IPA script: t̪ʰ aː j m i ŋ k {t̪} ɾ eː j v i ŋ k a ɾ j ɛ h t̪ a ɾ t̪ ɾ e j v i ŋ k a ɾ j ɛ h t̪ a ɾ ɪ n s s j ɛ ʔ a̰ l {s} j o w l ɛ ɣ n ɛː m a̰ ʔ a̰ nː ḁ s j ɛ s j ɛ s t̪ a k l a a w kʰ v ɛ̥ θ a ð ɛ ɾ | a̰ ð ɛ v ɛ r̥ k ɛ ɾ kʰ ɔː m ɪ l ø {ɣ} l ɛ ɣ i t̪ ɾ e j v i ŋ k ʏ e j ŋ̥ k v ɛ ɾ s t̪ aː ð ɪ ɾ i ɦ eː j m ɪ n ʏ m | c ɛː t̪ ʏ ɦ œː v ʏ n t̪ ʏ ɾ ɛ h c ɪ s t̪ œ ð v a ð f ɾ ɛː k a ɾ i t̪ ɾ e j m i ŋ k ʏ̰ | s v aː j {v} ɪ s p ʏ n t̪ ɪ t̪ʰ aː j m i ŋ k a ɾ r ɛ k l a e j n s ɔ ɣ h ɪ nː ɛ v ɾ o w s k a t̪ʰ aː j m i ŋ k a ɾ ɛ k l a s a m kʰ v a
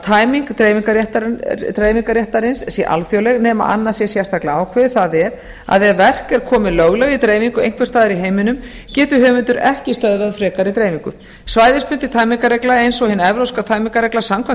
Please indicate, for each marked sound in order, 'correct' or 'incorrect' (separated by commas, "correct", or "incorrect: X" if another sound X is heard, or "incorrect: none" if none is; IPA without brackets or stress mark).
correct, incorrect: f, correct, incorrect: ð